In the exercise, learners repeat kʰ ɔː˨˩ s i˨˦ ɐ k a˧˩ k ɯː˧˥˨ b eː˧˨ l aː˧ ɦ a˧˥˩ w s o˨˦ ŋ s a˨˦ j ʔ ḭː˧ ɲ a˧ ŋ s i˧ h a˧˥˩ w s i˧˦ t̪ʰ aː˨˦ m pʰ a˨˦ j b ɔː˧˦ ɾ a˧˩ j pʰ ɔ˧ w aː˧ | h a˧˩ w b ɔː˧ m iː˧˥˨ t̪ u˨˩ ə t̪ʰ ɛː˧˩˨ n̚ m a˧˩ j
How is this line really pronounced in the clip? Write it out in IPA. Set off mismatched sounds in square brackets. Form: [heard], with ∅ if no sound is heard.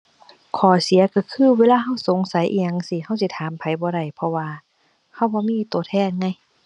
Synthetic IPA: kʰ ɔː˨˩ s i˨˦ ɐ k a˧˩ [kʰ] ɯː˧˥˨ [w] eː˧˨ l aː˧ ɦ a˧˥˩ w s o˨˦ ŋ s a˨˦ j ʔ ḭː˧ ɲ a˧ ŋ s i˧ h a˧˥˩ w s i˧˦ t̪ʰ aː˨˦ m pʰ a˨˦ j b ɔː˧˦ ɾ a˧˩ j pʰ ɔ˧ w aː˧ | h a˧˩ w b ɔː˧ m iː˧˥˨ t̪ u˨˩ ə t̪ʰ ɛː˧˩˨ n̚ [ŋ] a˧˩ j